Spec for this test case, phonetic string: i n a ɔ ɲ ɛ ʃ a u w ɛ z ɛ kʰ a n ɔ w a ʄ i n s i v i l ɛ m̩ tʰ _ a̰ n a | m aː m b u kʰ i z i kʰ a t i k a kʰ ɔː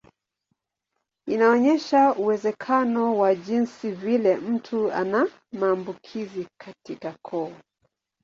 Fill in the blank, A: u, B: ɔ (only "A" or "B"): A